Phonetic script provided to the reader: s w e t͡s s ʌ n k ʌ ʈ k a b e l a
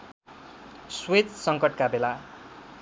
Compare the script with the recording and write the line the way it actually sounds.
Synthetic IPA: s w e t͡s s ʌ ŋ k ʌ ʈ k a b e l a